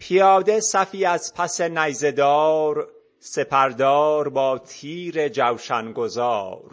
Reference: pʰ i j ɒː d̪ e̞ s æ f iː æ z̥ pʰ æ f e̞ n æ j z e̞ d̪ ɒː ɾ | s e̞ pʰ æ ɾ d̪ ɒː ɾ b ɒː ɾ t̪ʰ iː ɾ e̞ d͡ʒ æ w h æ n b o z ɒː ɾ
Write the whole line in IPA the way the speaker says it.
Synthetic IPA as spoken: pʰ i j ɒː d̪ e̞ s æ f iː æ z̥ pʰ æ s e̞ n æ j z e̞ d̪ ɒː ɾ | s e̞ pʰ æ ɾ d̪ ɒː ɾ b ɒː t̪ʰ iː ɾ e̞ d͡ʒ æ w ʃ æ n ɡ o z ɒː ɾ